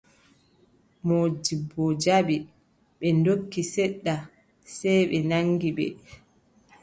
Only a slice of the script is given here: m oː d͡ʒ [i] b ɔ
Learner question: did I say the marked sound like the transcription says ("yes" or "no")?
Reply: yes